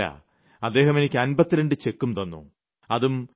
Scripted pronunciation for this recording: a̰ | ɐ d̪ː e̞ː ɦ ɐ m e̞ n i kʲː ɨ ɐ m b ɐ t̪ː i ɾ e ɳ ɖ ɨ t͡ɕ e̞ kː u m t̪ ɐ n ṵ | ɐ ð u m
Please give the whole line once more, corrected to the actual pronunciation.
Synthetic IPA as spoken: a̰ | ɐ d̪ː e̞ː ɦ ɐ m e̞ n i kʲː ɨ ɐ n b ɐ t̪ː i ɾ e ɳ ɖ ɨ t͡ɕ e̞ kː u m t̪ ɐ nː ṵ | ɐ ð u m